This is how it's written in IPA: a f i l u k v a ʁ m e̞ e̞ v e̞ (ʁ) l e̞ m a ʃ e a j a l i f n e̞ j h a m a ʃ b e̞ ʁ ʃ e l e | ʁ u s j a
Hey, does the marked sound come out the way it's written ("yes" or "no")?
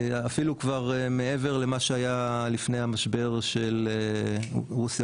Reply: yes